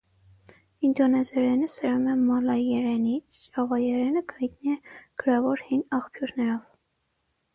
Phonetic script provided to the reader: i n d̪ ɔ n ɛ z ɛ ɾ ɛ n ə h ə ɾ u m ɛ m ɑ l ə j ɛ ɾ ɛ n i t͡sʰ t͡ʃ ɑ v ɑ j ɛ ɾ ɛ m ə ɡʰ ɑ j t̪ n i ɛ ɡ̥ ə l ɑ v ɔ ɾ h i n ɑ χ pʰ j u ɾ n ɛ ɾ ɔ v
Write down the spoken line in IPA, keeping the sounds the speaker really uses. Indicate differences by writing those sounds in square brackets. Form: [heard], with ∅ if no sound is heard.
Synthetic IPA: i n d̪ ɔ n ɛ z ɛ ɾ ɛ n ə [s] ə ɾ u m ɛ m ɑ l [ɑ] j ɛ ɾ ɛ n i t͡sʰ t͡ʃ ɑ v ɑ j ɛ ɾ ɛ [n] ə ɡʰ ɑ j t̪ n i ɛ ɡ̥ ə [ɾ] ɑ v ɔ ɾ h i n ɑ χ pʰ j u ɾ n ɛ ɾ ɔ v

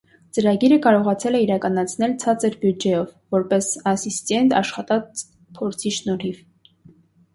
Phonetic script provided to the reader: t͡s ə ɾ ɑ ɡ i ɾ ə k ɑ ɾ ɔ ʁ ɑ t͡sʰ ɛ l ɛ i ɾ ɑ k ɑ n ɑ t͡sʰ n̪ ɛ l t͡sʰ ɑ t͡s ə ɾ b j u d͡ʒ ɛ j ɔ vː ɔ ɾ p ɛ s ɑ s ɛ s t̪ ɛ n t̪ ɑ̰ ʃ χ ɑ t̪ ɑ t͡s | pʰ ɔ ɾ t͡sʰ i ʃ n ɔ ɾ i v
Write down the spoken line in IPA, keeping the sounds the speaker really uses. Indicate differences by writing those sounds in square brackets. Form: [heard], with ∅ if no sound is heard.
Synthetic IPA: t͡s ə ɾ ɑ ɡ i ɾ ə k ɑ ɾ ɔ ʁ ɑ t͡sʰ ɛ l ɛ i ɾ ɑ k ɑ n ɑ t͡sʰ n̪ ɛ l t͡sʰ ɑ t͡s ə ɾ b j u d͡ʒ ɛ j ɔ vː ɔ ɾ p ɛ s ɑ s [i] s t̪ ɛ n t̪ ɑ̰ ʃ χ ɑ t̪ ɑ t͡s | pʰ ɔ ɾ t͡sʰ i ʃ n ɔ ɾ i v

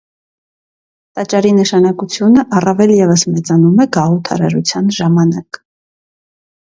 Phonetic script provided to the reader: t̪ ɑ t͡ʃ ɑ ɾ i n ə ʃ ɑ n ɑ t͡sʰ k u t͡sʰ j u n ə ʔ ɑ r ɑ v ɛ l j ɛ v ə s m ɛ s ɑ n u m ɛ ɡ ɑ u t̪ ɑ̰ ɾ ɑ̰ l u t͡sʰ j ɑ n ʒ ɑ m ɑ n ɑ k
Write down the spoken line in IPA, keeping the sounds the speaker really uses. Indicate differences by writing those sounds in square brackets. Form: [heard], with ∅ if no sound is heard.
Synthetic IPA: t̪ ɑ t͡ʃ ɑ ɾ i n ə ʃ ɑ n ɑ [∅] k u t͡sʰ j u n ə ʔ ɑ r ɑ v ɛ l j ɛ v ə s m ɛ [t͡s] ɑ n u m ɛ ɡ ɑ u [t̪ʰ] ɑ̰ ɾ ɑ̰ [ɾ] u t͡sʰ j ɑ n ʒ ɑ m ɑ n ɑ k

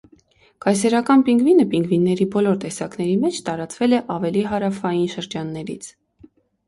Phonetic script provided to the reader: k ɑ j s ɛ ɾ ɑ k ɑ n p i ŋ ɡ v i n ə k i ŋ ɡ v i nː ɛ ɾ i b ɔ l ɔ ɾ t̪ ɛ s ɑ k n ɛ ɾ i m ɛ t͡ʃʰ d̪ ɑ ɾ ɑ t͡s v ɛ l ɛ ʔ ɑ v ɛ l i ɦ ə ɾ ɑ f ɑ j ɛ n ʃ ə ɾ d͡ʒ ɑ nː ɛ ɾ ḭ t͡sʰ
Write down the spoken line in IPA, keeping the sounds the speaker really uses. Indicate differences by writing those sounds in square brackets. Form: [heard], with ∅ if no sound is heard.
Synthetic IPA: k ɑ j s ɛ ɾ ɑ k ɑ n p i ŋ ɡ v i n ə [p] i ŋ ɡ v i nː ɛ ɾ i b ɔ l ɔ ɾ t̪ ɛ s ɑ k n ɛ ɾ i m ɛ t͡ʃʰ [t̪] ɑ ɾ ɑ t͡s v ɛ l ɛ ʔ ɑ v ɛ l i ɦ [ɑ] ɾ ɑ f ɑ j [i] n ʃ ə ɾ d͡ʒ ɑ nː ɛ ɾ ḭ t͡sʰ

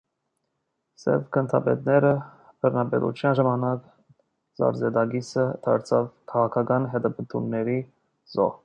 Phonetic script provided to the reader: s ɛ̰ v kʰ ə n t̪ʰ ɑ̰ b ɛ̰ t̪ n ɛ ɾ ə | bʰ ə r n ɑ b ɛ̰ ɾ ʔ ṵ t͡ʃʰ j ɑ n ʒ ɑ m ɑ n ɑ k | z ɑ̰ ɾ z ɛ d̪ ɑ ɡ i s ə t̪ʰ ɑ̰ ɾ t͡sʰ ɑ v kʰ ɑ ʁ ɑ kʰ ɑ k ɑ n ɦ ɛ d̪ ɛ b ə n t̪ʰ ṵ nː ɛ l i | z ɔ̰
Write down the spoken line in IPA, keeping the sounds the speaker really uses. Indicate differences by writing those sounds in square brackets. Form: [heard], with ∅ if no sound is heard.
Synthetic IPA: s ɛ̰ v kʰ ə n t̪ʰ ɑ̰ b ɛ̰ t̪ n ɛ ɾ ə | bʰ ə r n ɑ b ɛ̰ ɾ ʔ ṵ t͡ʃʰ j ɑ n ʒ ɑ m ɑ n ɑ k | z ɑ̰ ɾ z ɛ d̪ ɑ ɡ i s ə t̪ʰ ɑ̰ ɾ t͡sʰ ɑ v kʰ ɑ ʁ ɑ kʰ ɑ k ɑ n ɦ ɛ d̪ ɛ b ə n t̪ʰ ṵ nː ɛ [ɾ] i | z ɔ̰

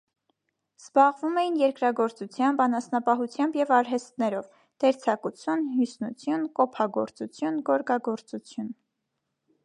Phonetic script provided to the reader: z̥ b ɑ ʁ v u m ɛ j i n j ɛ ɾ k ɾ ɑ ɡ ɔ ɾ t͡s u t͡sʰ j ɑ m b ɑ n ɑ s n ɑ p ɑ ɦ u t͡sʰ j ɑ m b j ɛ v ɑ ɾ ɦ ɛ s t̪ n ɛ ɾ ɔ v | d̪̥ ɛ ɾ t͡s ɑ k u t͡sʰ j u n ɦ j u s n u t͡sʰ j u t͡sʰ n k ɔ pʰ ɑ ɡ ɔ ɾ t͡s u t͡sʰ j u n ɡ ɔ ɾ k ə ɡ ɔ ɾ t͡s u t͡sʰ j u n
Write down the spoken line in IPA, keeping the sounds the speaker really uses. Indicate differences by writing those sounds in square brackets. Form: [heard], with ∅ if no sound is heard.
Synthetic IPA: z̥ b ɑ ʁ v u m ɛ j i n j ɛ ɾ k ɾ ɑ ɡ ɔ ɾ t͡s u t͡sʰ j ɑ m b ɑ n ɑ s n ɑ p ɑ ɦ u t͡sʰ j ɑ m b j ɛ v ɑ ɾ ɦ ɛ s t̪ n ɛ ɾ ɔ v | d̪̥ ɛ ɾ [t͡sʰ] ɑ k u t͡sʰ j u n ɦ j u s n u t͡sʰ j u [∅] n k ɔ pʰ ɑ ɡ ɔ ɾ t͡s u t͡sʰ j u n ɡ ɔ ɾ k [ɑ] ɡ ɔ ɾ t͡s u t͡sʰ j u n

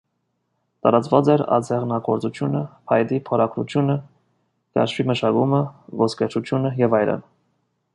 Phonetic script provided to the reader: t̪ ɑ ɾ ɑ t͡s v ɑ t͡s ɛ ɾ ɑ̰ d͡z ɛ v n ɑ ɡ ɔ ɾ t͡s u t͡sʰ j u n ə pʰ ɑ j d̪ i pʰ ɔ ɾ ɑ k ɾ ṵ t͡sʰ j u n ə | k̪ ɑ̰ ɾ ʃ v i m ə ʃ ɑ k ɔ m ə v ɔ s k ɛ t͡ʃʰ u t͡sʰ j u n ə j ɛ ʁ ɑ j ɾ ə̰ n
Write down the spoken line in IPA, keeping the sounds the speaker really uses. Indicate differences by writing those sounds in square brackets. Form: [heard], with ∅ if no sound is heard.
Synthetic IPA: t̪ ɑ ɾ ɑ t͡s v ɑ t͡s ɛ ɾ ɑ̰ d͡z ɛ [ʁ] n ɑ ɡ ɔ ɾ t͡s u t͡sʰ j u n ə pʰ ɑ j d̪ i pʰ ɔ ɾ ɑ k ɾ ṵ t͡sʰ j u n ə | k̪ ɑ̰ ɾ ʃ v i m ə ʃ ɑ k [u] m ə v ɔ s k ɛ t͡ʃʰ u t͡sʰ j u n ə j ɛ [v] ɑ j ɾ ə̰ n

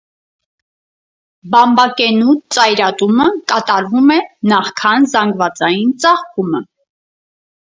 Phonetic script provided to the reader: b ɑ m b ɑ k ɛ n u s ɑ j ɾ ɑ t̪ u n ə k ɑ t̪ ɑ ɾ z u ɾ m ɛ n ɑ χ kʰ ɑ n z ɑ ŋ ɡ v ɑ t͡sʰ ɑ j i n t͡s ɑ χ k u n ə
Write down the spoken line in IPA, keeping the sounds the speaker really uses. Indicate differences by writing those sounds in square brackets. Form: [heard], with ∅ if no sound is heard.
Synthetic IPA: b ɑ m b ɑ k ɛ n u [t͡s] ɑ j ɾ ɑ t̪ u [m] ə k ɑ t̪ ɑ ɾ [v] u [∅] m ɛ n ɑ χ kʰ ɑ n z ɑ ŋ ɡ v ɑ [t͡s] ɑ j i n t͡s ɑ χ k u [m] ə

